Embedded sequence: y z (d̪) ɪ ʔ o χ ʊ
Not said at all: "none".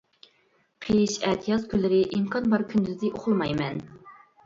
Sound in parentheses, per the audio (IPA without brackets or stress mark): d̪